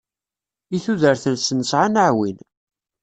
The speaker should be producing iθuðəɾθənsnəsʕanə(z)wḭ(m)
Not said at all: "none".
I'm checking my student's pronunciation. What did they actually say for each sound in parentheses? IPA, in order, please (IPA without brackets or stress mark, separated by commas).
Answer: ʕ, n